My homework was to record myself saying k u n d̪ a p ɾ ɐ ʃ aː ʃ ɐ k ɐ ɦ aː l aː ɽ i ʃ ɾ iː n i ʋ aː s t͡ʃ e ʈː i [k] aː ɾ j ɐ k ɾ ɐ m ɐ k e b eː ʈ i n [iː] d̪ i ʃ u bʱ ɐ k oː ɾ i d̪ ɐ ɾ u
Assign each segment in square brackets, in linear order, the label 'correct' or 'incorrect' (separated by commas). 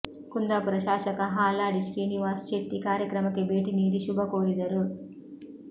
correct, correct